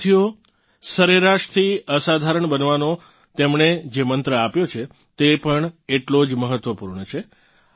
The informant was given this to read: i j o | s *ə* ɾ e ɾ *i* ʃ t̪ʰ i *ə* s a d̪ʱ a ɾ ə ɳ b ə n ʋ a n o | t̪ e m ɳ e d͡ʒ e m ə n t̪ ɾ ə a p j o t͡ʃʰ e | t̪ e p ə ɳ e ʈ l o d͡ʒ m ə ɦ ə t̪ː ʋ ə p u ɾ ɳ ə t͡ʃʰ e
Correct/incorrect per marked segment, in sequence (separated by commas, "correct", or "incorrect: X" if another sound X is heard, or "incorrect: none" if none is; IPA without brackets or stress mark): correct, incorrect: a, correct